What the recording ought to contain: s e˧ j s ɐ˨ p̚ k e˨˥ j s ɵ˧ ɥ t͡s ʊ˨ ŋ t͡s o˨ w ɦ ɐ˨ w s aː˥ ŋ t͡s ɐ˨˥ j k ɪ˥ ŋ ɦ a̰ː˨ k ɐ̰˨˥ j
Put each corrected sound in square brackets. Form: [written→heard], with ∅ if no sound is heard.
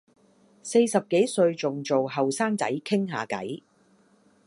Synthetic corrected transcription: s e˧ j s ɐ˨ p̚ k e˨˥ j s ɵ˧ ɥ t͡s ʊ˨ ŋ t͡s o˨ w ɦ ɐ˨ w s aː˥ ŋ t͡s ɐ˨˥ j [k→kʰ] ɪ˥ ŋ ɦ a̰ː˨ k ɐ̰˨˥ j